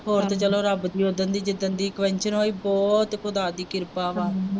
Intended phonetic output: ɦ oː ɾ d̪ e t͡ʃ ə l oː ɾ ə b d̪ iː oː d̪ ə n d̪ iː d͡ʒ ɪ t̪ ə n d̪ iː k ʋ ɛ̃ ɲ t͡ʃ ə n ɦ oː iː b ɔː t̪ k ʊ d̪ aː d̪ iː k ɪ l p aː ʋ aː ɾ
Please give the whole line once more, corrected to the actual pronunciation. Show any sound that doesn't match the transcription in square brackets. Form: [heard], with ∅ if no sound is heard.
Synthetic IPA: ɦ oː ɾ [t̪] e t͡ʃ ə l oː ɾ ə b d̪ iː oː d̪ ə n d̪ iː d͡ʒ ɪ [d̪] ə n d̪ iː k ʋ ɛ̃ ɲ t͡ʃ ə n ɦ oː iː b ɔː t̪ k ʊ d̪ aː d̪ iː k ɪ [ɾ] p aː ʋ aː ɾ